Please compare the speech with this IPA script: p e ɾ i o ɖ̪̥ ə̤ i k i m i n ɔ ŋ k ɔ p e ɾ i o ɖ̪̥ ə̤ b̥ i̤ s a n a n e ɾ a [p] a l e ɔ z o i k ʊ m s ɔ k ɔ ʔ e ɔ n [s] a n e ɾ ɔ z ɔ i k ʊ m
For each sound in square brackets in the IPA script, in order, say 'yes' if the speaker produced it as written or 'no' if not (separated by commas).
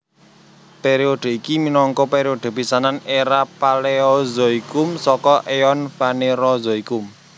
yes, no